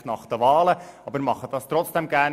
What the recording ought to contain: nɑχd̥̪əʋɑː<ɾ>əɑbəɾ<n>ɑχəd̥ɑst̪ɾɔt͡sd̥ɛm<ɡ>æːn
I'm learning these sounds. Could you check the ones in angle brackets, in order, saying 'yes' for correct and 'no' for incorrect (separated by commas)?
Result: no, no, yes